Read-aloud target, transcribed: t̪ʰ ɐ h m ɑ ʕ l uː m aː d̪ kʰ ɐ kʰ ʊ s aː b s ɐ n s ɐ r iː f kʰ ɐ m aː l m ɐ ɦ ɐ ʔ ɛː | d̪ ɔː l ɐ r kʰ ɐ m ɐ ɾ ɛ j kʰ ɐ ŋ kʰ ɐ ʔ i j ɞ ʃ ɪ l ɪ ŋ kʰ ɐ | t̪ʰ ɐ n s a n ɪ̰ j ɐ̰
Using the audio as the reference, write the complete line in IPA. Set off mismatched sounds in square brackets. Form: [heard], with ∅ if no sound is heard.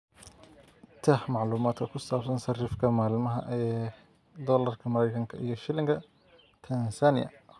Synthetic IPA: t̪ʰ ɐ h m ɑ ʕ l uː m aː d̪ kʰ ɐ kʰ ʊ s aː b s ɐ n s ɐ r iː f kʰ ɐ m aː l m ɐ ɦ ɐ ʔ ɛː | d̪ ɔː l ɐ r kʰ ɐ m ɐ ɾ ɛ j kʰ ɐ ŋ kʰ ɐ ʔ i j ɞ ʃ ɪ l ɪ ŋ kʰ ɐ | t̪ʰ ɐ n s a n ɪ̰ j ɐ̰